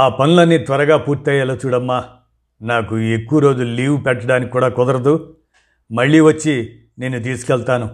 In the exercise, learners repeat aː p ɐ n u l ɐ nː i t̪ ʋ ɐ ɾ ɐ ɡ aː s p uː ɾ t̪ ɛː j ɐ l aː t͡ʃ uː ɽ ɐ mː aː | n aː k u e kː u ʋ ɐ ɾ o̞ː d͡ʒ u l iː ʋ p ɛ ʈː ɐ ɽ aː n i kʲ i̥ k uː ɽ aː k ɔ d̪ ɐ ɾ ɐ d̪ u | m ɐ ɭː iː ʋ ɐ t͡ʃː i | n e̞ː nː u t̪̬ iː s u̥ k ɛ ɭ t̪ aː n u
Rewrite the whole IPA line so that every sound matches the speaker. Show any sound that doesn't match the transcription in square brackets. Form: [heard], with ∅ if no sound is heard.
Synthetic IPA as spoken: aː p ɐ n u l ɐ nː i t̪ ʋ ɐ ɾ ɐ ɡ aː [∅] p uː ɾ t̪ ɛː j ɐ l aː t͡ʃ uː ɽ ɐ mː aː | n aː k u e kː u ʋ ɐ ɾ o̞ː d͡ʒ u l iː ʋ p ɛ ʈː ɐ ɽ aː n i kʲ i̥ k uː ɽ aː k ɔ d̪ ɐ ɾ ɐ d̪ u | m ɐ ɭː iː ʋ ɐ t͡ʃː i | n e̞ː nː u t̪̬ iː s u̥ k ɛ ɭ t̪ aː n u